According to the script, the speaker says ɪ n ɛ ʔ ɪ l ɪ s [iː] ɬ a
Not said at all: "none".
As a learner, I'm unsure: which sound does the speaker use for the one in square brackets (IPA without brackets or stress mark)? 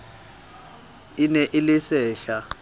ɛː